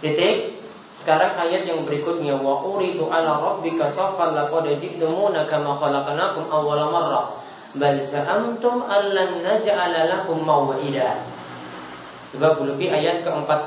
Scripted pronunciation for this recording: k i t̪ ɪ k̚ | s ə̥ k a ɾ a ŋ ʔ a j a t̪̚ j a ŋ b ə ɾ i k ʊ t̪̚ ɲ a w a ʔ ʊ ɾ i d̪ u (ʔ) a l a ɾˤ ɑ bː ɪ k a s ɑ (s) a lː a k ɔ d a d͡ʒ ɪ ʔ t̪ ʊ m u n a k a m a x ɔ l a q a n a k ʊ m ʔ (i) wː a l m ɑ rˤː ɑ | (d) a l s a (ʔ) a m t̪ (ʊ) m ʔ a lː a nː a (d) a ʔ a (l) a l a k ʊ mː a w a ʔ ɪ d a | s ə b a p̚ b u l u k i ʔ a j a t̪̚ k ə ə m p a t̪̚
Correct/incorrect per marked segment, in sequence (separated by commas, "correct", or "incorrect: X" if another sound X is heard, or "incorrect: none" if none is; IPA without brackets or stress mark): correct, incorrect: f, incorrect: a, incorrect: b, correct, correct, incorrect: d͡ʒ, correct